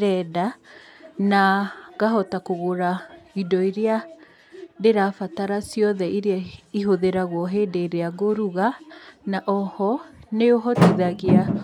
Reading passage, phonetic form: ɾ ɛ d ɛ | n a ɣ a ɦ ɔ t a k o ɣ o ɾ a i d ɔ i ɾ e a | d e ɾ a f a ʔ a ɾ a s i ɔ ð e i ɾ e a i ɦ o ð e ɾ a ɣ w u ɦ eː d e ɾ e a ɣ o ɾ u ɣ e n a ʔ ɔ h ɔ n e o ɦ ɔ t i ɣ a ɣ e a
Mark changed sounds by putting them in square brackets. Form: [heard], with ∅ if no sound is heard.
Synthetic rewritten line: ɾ ɛ d [a] | n a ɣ a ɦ ɔ t a k o ɣ o ɾ a i d ɔ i ɾ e a | d e ɾ a f a [t] a ɾ a s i ɔ ð [ɛ] i ɾ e a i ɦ o ð e ɾ a ɣ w [ɔ] ɦ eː d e ɾ e a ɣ o ɾ u ɣ [a] n a ʔ ɔ h ɔ n e o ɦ ɔ t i [ð] a ɣ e a